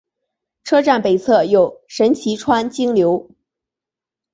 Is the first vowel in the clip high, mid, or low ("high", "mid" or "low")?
mid